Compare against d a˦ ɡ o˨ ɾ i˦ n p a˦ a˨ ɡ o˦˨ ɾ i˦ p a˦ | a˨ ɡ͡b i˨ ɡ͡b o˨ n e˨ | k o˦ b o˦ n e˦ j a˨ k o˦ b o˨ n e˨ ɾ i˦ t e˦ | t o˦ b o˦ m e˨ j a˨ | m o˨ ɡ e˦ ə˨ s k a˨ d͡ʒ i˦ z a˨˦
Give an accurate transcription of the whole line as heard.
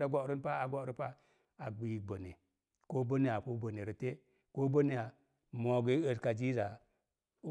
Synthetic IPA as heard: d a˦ ɡ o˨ ɾ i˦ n p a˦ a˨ ɡ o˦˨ ɾ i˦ p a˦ | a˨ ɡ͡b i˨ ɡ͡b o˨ n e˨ | k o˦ b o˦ n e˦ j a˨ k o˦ b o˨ n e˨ ɾ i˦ t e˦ | k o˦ b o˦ n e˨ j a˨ | m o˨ ɡ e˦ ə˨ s k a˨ d͡ʒ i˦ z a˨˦